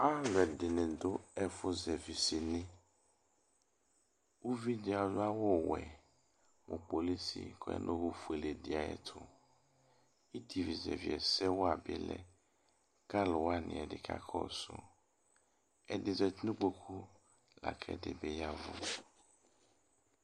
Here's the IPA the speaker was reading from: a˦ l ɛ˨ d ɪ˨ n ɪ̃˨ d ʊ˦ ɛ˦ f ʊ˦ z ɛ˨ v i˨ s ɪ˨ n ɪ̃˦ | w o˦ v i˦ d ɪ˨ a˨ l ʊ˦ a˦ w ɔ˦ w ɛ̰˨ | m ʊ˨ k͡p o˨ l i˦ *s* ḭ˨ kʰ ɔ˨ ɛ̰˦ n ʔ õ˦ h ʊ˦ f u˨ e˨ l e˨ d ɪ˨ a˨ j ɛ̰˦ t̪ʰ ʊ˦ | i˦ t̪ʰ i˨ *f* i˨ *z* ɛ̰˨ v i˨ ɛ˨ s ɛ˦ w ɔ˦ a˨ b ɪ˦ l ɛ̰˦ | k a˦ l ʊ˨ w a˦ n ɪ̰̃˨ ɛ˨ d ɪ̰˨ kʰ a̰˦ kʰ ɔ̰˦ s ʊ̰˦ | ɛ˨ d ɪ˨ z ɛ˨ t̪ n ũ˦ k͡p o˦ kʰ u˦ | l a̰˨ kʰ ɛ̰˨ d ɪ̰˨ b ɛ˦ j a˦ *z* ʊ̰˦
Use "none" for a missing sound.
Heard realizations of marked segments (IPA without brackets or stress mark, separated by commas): s, v, z, v